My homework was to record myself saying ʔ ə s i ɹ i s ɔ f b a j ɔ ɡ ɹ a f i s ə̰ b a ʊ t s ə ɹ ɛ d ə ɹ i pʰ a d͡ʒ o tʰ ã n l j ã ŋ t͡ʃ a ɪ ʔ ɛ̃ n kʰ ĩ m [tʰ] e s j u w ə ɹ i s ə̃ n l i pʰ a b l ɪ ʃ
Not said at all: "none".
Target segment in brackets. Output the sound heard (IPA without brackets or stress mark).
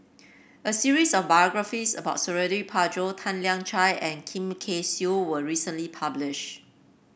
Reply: kʰ